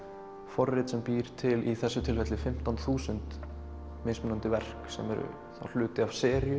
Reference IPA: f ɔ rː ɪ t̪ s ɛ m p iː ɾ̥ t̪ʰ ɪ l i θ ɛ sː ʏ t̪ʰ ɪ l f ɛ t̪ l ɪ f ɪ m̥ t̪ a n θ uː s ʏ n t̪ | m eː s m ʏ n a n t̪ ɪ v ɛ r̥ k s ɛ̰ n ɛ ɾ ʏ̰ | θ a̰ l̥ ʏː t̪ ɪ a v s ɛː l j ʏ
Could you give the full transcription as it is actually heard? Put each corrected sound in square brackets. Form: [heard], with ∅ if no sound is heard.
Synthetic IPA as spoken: f ɔ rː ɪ t̪ s ɛ m p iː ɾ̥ t̪ʰ ɪ l i θ ɛ sː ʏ t̪ʰ ɪ l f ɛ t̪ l ɪ f ɪ m̥ t̪ a n θ uː s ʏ n t̪ | m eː s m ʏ n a n t̪ ɪ v ɛ r̥ k s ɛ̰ [m] ɛ ɾ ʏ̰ | θ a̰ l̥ ʏː t̪ ɪ a v s ɛː [ɾ] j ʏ